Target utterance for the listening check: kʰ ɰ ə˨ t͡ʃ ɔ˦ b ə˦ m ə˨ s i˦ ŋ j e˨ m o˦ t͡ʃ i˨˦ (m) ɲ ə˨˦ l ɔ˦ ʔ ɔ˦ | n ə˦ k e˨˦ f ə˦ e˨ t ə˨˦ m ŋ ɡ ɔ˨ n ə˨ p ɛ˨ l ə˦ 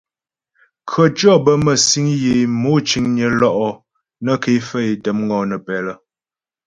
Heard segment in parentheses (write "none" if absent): ŋ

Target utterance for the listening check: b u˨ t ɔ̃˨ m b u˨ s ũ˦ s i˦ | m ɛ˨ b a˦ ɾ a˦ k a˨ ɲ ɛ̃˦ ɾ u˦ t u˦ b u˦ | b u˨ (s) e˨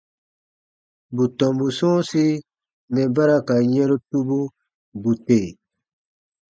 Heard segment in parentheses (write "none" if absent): t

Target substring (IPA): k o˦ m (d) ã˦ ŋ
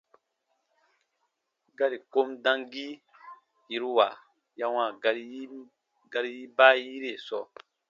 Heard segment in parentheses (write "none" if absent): d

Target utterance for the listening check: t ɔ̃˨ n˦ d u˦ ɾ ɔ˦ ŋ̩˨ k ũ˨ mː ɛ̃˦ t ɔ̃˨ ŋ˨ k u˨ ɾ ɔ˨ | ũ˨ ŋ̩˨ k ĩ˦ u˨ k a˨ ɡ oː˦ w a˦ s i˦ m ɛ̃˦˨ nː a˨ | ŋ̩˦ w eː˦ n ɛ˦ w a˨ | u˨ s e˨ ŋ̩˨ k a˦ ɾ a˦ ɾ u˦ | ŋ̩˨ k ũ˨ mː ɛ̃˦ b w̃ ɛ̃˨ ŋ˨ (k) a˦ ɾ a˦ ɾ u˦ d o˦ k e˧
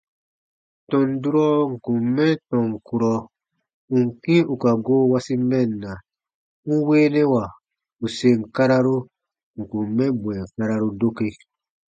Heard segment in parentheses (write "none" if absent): k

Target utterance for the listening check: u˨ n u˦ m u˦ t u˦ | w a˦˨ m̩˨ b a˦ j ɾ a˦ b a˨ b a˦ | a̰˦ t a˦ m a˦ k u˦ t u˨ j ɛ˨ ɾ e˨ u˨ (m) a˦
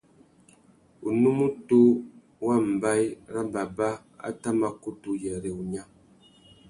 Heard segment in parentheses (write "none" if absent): ɲ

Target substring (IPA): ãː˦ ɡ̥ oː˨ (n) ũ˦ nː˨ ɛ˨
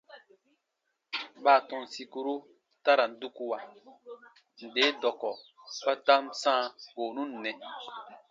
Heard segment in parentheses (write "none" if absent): n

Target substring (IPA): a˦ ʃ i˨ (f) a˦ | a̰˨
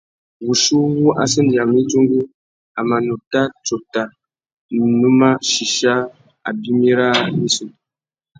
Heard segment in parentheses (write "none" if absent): ʃ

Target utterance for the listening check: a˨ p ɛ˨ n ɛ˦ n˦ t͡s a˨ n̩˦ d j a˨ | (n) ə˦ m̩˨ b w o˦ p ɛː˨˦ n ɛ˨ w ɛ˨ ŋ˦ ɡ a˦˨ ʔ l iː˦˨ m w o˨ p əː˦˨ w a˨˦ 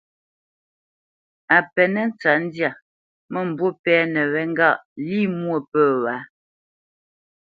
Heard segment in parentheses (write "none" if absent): m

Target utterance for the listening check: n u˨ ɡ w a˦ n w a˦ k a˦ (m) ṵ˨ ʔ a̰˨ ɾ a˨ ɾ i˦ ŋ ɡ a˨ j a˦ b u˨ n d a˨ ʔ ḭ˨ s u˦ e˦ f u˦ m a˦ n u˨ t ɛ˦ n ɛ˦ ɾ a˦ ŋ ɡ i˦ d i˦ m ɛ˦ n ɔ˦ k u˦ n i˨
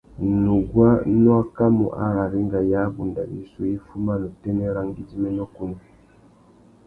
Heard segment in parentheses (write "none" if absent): m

